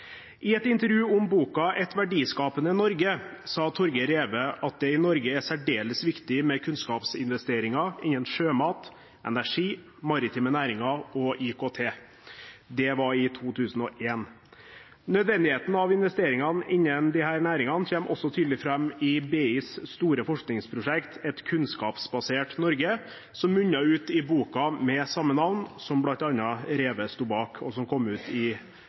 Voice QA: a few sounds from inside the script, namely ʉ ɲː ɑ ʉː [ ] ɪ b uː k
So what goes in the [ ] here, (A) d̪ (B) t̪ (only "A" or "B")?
B